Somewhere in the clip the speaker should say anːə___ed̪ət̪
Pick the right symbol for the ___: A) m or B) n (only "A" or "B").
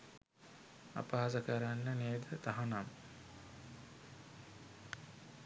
B